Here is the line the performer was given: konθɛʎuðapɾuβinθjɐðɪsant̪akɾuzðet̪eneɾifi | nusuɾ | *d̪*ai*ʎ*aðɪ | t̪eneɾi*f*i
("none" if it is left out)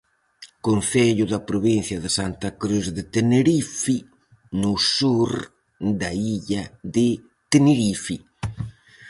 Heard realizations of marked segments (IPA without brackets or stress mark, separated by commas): d̪, ʎ, f